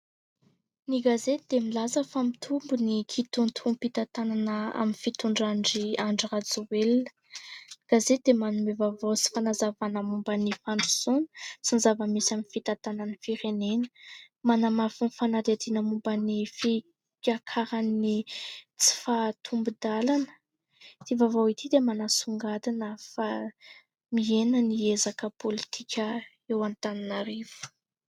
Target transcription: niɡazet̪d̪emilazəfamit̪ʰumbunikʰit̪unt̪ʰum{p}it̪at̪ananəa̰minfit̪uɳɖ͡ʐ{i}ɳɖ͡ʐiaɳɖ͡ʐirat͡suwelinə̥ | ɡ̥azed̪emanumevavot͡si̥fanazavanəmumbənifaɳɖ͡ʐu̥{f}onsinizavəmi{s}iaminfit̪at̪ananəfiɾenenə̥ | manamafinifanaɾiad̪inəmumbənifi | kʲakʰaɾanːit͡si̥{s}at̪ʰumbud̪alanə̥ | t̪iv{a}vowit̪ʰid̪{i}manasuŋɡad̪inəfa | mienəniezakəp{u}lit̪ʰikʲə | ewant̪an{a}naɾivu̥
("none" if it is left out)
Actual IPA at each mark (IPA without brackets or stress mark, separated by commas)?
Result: p, a, s, s, f, a, e, o, i